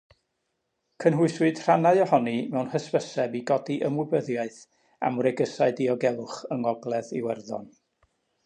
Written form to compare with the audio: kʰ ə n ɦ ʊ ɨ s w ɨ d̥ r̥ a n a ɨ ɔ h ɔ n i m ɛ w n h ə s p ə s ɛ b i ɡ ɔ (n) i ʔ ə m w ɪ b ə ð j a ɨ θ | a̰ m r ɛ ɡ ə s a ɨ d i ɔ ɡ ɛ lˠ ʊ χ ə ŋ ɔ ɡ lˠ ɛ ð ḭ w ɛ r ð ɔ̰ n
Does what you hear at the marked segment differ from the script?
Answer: yes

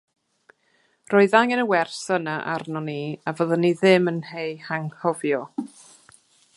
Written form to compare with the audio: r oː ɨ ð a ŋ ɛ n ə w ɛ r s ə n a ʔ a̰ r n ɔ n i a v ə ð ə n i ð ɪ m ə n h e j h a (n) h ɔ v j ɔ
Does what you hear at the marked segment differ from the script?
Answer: yes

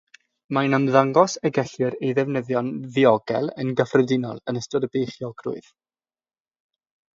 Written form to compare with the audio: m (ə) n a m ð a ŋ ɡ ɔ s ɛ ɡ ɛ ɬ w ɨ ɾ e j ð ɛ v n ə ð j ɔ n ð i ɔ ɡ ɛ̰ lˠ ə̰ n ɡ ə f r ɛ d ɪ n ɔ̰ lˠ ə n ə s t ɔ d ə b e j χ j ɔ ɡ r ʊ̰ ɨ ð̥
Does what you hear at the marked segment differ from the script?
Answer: yes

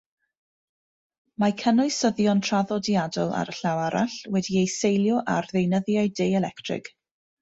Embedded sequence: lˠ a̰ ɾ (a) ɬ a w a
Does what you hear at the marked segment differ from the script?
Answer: yes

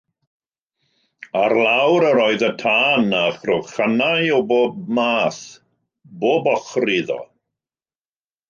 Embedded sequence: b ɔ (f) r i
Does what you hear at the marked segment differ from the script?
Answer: yes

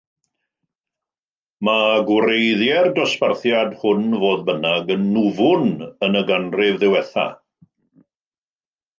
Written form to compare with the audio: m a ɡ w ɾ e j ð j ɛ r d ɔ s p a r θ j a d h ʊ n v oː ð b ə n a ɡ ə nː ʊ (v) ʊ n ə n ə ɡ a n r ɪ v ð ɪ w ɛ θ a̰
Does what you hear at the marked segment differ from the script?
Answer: no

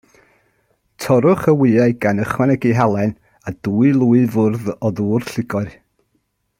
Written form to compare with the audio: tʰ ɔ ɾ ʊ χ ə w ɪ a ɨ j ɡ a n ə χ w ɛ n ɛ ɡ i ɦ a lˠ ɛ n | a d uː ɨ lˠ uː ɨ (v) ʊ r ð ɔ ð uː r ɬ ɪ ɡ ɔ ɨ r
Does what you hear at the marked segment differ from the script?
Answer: no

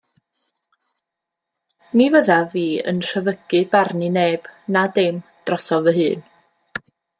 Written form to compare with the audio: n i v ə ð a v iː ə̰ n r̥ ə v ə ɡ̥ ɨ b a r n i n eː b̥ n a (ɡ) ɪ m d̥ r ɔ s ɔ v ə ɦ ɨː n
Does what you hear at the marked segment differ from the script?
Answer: yes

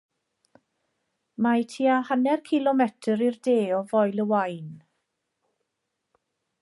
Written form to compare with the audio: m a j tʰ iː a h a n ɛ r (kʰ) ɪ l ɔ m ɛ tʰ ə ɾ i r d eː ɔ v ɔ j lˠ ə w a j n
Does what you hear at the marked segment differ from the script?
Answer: no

